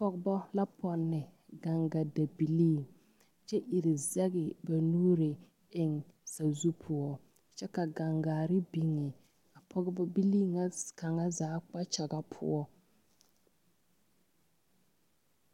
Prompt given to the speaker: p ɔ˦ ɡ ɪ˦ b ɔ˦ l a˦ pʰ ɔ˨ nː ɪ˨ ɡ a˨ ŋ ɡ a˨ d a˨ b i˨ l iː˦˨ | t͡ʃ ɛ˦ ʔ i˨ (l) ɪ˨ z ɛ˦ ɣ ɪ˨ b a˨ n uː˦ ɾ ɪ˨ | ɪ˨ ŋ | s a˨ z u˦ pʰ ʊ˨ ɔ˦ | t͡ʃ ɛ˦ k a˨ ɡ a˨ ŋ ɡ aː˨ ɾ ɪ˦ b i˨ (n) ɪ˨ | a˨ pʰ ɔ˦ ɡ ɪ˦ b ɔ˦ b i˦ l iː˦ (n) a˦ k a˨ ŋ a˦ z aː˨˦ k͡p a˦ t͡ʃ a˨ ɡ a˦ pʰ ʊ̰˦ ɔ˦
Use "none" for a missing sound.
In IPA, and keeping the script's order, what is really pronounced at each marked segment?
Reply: ɾ, ŋ, ŋ

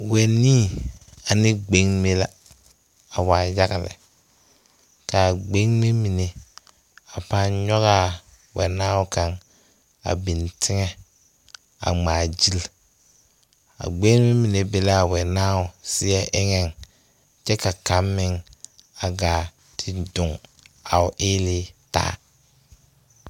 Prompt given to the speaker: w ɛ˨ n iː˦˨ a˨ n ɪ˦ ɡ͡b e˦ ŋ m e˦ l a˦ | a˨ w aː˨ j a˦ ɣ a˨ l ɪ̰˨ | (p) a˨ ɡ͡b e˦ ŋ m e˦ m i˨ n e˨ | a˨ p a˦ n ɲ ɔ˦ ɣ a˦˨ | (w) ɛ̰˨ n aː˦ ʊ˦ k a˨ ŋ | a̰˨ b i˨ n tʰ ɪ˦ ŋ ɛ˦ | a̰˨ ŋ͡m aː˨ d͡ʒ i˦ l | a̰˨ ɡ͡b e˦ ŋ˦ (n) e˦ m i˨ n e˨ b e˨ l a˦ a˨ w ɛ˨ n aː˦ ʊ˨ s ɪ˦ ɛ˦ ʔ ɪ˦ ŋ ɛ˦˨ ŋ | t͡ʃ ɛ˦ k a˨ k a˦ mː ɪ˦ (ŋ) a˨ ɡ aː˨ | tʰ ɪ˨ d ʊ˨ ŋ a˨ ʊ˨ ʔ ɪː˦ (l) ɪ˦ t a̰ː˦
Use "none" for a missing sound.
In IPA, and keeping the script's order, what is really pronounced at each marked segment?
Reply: k, w, m, ŋ, l

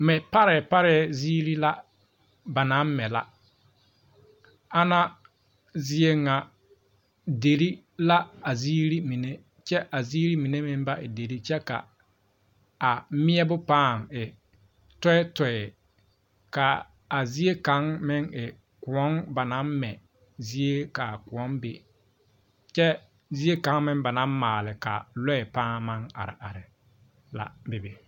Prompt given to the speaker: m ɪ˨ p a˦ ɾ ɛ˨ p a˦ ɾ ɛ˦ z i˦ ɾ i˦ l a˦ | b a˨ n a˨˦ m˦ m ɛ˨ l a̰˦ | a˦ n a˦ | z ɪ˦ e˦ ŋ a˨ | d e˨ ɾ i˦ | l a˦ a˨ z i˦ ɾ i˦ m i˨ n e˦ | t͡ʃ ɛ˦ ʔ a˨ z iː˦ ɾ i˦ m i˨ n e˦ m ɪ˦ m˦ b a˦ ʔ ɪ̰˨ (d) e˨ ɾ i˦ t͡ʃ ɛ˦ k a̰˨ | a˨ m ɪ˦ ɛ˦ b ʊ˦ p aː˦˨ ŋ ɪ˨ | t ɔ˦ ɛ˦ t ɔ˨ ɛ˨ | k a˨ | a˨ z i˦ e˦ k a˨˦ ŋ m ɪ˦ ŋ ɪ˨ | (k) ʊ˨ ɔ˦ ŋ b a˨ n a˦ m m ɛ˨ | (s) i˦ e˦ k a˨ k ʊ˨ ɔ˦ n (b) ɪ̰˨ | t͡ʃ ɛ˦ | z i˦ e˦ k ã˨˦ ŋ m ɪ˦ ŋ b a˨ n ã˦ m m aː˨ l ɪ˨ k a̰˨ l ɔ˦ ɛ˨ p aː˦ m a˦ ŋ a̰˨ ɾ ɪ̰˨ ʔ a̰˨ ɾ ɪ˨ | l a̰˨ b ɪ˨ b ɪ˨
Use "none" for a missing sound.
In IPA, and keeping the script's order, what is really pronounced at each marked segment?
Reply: d, k, z, b

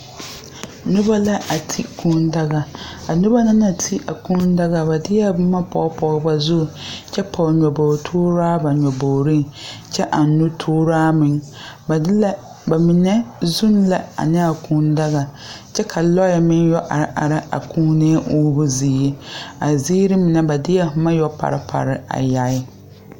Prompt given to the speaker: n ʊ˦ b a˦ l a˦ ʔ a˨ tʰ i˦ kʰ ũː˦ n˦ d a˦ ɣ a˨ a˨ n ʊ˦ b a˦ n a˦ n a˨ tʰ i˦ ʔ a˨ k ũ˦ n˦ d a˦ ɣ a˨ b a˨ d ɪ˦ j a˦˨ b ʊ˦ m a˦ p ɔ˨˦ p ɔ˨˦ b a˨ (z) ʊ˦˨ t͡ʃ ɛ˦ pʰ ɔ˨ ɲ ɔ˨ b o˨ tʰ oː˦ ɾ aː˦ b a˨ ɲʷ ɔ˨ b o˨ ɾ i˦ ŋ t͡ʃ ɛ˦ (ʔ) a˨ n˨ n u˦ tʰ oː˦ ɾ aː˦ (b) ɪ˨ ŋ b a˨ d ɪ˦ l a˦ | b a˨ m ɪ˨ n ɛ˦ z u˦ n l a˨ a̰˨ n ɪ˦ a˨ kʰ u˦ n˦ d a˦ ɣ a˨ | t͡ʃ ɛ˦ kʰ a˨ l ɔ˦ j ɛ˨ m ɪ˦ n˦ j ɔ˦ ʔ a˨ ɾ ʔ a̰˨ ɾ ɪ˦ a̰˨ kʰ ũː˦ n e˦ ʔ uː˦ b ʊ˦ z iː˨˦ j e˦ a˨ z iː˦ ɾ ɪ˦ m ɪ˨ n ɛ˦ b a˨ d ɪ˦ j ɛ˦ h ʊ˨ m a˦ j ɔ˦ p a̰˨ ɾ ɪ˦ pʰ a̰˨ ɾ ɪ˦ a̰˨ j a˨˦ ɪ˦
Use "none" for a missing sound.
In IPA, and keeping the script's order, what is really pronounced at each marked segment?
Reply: z, ʔ, m

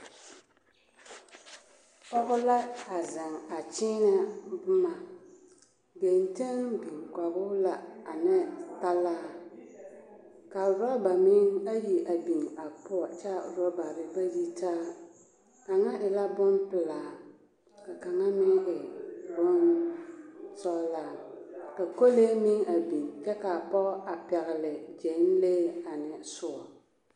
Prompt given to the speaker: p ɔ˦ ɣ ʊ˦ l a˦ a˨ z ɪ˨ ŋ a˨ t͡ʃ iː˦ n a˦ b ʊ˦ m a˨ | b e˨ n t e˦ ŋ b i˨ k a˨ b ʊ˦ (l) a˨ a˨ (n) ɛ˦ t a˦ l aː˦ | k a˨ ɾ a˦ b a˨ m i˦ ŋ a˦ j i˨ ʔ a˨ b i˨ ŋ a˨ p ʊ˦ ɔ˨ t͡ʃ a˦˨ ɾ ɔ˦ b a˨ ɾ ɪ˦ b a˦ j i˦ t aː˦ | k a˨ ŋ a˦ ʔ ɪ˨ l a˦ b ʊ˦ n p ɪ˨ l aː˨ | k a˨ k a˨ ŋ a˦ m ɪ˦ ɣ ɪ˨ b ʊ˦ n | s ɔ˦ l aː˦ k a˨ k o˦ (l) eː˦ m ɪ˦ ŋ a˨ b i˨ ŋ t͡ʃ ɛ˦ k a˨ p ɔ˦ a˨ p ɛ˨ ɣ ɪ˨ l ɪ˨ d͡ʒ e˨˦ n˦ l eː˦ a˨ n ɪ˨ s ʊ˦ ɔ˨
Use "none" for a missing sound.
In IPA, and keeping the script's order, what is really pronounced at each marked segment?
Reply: l, n, l

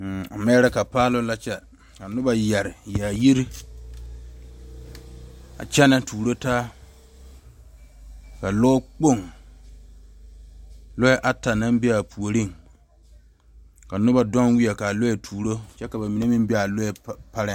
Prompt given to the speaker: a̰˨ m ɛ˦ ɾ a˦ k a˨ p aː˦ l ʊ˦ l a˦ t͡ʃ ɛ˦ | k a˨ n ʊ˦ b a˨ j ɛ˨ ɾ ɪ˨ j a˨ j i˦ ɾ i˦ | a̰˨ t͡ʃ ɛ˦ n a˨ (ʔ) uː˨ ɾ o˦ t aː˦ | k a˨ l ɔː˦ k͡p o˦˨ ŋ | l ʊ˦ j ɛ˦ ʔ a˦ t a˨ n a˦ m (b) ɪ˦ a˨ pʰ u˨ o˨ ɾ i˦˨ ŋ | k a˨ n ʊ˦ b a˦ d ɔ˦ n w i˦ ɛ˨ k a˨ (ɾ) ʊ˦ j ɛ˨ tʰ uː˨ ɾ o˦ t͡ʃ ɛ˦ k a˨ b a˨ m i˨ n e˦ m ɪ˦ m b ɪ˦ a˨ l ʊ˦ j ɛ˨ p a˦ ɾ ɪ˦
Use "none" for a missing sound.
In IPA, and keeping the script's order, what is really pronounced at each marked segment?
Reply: t, b, l

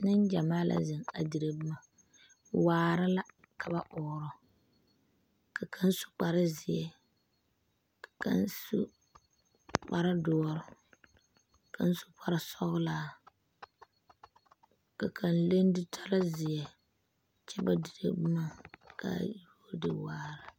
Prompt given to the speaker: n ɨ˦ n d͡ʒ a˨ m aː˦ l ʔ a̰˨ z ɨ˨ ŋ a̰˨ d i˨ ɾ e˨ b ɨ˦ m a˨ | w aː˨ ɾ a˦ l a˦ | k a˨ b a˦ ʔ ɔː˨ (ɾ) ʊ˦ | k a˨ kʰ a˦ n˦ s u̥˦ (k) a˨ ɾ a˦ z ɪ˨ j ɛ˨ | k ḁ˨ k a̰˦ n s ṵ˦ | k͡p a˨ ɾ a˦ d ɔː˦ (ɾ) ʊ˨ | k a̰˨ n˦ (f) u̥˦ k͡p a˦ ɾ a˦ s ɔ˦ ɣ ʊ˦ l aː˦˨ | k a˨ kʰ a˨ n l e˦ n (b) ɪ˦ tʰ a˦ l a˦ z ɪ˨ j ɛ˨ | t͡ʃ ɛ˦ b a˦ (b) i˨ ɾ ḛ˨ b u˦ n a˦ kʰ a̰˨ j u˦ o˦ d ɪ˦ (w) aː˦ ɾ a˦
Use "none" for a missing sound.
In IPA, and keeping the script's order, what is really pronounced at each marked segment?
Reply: ɾ, k͡p, ɾ, s, d, d, w

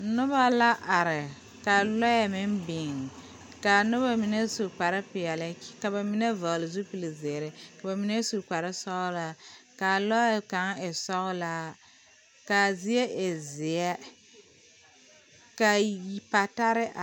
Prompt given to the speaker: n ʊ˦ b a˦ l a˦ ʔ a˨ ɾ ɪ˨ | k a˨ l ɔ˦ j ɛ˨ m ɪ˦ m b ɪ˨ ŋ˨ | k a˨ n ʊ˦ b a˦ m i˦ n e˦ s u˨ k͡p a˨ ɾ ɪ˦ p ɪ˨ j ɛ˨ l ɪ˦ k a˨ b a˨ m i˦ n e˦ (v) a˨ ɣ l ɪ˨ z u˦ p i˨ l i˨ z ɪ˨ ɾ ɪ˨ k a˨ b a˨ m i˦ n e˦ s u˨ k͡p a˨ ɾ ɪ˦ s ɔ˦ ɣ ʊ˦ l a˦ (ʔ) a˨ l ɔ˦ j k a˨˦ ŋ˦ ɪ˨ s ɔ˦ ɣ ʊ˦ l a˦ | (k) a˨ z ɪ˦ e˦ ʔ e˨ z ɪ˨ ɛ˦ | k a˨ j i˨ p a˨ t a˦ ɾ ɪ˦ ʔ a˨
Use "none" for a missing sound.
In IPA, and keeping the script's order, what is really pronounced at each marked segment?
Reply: v, k, k

